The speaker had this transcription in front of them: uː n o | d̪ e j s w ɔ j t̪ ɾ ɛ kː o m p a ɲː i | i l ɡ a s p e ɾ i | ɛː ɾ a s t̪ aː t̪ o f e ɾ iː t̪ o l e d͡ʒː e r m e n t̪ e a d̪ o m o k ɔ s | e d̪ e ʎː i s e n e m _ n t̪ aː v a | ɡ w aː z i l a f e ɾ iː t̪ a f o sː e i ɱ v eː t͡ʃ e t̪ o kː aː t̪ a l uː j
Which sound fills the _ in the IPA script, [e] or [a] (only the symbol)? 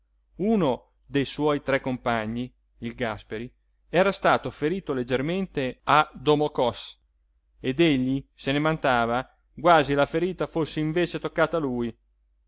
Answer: a